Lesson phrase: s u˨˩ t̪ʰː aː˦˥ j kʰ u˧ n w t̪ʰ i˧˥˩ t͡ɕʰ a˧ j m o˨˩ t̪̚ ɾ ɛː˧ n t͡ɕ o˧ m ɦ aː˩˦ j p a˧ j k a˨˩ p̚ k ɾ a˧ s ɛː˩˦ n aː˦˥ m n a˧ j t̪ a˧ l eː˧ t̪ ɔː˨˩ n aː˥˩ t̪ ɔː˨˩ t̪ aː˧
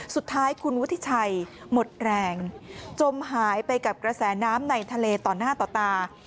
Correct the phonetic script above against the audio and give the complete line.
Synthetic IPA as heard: s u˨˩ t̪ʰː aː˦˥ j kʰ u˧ n w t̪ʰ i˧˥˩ t͡ɕʰ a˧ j m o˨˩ t̪̚ ɾ ɛː˧ ŋ t͡ɕ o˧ m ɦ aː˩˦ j p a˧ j k a˨˩ p̚ k ɾ a˧ s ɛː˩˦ n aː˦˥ m n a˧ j t̪ʰ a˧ l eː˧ t̪ ɔː˨˩ n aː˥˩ t̪ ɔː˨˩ t̪ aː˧